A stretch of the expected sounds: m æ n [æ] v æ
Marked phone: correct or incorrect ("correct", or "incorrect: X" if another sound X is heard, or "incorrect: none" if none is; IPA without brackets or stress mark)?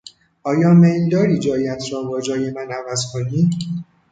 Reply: correct